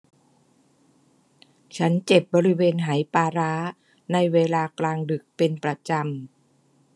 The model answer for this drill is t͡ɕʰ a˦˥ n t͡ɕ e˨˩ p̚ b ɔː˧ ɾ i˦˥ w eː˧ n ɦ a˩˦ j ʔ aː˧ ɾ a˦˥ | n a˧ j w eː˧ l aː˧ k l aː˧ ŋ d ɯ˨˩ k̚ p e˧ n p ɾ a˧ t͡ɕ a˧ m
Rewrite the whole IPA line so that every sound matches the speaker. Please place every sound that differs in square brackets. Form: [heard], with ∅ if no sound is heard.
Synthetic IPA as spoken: t͡ɕʰ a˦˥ n t͡ɕ e˨˩ p̚ b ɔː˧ ɾ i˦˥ w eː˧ n ɦ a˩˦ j [p] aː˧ ɾ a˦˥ | n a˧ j w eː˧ l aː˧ k l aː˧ ŋ d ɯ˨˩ k̚ p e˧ n p ɾ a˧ t͡ɕ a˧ m